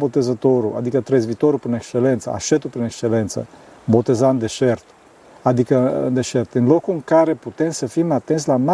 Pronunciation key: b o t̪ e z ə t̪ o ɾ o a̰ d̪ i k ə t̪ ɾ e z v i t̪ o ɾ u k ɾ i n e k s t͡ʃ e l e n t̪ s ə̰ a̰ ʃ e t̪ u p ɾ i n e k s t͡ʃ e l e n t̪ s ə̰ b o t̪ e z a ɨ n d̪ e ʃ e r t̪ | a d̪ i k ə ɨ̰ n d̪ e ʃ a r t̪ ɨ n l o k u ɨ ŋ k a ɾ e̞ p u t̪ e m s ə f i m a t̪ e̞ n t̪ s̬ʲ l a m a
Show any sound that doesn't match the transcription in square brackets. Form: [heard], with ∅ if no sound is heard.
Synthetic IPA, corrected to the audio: b o t̪ e z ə t̪ o ɾ [u] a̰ d̪ i k ə t̪ ɾ e z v i t̪ o ɾ u [p] ɾ i n e k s t͡ʃ e l e n t̪ s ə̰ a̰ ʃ e t̪ u p ɾ i n e k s t͡ʃ e l e n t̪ s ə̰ b o t̪ e z a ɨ n d̪ e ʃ e r t̪ | a d̪ i k ə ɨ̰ n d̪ e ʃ [e] r t̪ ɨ n l o k u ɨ ŋ k a ɾ e̞ p u t̪ e m s ə f i m a t̪ e̞ n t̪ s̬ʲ l a m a